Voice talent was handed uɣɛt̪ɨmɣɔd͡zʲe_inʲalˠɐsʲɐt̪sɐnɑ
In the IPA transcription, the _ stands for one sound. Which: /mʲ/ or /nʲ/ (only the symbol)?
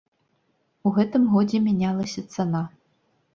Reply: mʲ